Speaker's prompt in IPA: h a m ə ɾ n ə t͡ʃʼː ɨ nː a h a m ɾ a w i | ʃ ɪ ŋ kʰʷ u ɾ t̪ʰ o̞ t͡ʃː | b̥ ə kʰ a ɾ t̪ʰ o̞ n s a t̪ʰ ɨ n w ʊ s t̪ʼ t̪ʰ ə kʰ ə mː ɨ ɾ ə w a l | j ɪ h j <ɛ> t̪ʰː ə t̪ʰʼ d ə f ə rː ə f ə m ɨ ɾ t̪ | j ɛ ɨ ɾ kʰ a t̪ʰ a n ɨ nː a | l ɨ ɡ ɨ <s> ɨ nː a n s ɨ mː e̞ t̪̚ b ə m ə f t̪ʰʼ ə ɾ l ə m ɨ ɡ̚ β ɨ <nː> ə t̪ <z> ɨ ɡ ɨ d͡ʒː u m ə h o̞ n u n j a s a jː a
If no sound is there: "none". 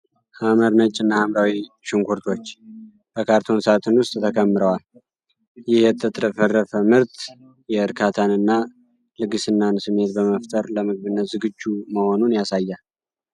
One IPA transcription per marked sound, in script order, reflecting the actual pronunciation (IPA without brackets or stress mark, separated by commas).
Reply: ɛ, s, nː, z